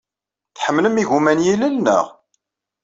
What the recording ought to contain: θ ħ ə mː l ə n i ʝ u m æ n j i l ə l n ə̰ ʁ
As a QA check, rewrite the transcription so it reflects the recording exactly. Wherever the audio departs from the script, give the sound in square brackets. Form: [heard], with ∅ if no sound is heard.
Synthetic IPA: θ ħ ə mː l ə [m] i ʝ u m æ n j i l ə l n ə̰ ʁ